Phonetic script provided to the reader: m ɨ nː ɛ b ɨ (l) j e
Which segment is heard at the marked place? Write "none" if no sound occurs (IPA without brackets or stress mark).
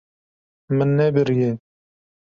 ɾ